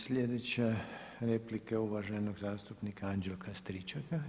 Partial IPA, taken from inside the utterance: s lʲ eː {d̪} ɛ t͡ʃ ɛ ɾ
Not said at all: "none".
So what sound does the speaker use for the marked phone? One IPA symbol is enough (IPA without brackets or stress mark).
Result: d̪